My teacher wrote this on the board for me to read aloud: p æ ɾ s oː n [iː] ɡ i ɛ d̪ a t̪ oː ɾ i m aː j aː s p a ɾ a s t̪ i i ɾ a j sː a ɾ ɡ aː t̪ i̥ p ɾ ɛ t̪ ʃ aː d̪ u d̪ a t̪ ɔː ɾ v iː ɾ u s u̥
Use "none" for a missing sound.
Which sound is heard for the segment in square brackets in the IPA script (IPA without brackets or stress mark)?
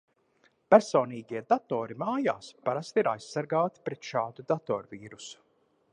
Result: iː